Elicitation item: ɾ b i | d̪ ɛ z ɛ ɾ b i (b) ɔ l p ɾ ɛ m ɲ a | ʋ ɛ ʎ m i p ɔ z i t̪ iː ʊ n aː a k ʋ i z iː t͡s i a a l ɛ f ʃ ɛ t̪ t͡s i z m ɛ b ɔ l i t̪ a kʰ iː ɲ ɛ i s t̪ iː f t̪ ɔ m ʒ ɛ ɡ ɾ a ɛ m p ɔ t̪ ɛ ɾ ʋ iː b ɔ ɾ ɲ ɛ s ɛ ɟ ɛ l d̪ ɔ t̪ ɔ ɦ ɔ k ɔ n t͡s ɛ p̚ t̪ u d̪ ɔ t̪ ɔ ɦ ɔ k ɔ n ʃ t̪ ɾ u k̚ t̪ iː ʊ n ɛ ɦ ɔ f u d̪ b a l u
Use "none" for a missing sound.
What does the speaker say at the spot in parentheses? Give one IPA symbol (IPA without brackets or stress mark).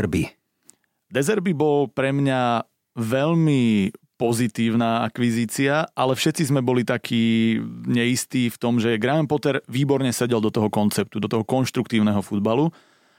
b